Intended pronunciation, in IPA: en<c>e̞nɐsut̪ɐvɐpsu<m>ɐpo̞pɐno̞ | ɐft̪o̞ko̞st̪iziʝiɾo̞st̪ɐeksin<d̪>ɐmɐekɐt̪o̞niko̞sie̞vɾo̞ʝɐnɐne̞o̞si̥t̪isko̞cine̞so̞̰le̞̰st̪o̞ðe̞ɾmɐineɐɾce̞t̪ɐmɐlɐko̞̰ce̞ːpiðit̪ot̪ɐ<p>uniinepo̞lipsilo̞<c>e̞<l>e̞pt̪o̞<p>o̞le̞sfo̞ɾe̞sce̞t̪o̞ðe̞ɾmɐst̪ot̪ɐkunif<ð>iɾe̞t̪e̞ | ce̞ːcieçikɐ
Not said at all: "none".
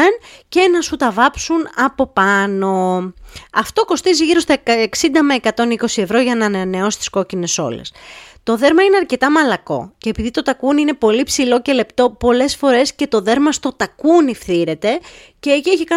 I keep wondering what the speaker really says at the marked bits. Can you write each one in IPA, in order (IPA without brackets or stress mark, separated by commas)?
c, n, d̪, k, c, l, p, θ